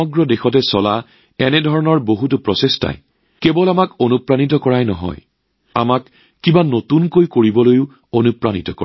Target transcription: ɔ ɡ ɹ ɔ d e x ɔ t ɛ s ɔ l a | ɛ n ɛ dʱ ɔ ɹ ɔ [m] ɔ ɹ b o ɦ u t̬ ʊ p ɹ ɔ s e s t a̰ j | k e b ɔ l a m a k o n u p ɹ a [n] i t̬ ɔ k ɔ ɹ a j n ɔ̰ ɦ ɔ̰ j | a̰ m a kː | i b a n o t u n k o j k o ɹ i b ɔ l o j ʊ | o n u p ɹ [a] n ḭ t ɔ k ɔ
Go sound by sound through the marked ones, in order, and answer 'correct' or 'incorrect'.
incorrect, correct, correct

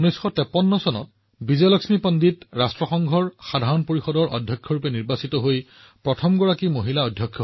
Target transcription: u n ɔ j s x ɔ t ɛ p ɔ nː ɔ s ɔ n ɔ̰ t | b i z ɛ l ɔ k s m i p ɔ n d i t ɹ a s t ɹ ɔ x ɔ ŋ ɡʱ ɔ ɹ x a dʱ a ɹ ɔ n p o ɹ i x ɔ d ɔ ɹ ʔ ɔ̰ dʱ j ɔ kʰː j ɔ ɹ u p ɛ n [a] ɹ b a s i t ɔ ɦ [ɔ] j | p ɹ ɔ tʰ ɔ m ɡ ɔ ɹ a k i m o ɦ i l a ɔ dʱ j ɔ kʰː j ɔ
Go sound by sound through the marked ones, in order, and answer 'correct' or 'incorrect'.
incorrect, incorrect

